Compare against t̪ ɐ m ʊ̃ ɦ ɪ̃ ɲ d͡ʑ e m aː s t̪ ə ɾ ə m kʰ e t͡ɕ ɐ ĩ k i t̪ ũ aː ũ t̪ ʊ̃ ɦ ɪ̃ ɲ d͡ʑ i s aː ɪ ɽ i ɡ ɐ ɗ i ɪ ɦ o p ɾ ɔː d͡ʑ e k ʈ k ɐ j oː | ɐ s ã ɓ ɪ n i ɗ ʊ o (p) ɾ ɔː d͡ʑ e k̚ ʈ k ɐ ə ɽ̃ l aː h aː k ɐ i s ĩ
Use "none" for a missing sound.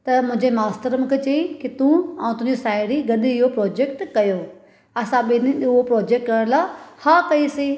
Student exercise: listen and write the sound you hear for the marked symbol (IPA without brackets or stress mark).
p